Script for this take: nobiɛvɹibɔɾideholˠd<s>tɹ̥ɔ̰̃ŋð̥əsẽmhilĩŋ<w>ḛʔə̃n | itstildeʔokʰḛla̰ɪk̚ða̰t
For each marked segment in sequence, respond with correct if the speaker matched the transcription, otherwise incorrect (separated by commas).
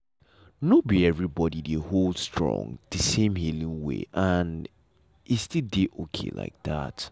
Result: correct, correct